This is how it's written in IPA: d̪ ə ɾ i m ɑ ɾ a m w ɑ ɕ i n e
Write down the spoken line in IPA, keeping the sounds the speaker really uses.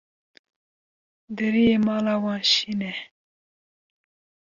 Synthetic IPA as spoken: d̪ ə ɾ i m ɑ l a w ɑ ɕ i n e